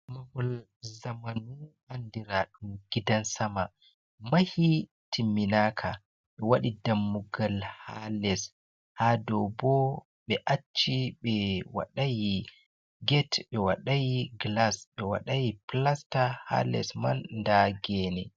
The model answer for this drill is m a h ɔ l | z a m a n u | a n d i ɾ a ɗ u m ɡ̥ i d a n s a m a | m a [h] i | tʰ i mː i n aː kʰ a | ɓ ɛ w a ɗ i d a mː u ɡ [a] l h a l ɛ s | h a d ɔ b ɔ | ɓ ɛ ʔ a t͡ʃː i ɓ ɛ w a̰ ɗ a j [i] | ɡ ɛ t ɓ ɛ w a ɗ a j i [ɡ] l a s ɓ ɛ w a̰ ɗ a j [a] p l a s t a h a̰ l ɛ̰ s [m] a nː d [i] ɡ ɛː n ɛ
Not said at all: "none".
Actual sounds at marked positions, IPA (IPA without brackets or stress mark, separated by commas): h, a, i, ɡ, i, m, a